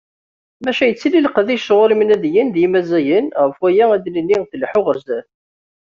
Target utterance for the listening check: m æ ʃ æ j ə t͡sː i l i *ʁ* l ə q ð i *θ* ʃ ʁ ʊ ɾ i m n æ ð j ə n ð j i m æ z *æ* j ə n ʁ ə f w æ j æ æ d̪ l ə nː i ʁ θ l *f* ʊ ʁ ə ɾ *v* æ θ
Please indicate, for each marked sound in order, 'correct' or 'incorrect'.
incorrect, incorrect, correct, incorrect, incorrect

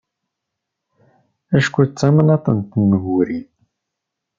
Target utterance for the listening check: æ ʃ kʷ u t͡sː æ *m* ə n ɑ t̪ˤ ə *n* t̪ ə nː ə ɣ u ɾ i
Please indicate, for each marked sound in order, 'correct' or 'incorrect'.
correct, correct

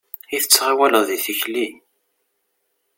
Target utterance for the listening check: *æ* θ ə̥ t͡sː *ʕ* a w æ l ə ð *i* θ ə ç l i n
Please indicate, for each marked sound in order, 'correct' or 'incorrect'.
incorrect, incorrect, correct

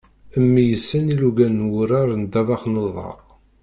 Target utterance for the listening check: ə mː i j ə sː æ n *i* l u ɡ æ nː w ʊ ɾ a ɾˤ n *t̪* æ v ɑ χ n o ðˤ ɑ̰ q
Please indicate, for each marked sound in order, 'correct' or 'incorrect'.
correct, incorrect

